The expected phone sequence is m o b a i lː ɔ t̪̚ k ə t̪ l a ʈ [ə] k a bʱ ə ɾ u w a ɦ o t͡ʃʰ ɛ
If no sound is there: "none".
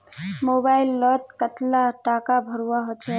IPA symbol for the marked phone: a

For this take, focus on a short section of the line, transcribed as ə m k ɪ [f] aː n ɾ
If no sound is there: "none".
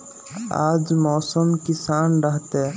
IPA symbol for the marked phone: s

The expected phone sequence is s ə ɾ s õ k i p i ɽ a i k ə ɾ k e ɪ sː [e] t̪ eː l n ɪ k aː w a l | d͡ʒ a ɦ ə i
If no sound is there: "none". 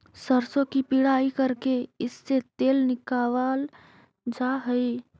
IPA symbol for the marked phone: e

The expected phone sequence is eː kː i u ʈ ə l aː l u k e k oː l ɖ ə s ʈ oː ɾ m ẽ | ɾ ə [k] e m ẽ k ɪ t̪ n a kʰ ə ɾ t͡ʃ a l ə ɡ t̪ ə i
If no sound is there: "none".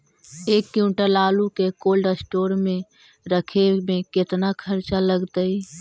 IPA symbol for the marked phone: kʰ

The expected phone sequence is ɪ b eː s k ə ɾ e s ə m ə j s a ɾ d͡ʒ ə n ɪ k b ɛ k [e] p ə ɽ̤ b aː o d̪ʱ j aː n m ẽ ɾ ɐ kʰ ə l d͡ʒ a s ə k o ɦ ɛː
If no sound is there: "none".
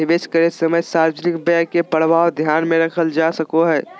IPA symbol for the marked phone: e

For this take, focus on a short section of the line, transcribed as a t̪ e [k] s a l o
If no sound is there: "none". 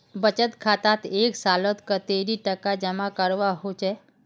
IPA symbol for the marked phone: k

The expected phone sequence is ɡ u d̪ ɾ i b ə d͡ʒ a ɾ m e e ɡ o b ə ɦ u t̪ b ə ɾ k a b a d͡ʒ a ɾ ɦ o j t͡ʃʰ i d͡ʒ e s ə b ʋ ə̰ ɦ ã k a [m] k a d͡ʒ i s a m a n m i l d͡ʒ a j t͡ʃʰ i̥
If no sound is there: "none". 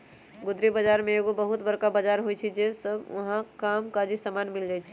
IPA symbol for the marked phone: m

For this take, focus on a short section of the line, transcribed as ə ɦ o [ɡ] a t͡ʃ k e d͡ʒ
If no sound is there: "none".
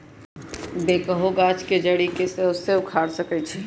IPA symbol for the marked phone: ɡ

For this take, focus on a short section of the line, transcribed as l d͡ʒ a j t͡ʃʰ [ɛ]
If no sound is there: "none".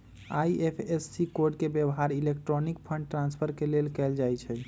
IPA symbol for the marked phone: ɛ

